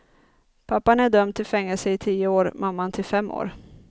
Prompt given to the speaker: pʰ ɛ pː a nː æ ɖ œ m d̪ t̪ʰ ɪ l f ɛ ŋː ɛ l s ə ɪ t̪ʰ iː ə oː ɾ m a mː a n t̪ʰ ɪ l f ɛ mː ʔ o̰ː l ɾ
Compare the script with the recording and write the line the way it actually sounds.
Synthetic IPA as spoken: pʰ a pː a n æ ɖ œ m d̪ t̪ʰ ɪ l f ɛ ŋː ɛ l s ə ɪ t̪ʰ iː ə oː ɾ m a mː a n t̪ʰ ɪ l f ɛ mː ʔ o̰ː ɾ